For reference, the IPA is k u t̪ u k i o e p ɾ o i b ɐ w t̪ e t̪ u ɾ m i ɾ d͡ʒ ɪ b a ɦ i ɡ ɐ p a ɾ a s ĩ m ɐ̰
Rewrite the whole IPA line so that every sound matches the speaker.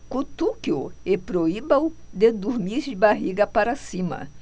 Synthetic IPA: k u t̪ u k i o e p ɾ o i b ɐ w d̪ e d̪ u ɾ m i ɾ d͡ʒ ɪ b a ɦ i ɡ ɐ p a ɾ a s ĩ m ɐ̰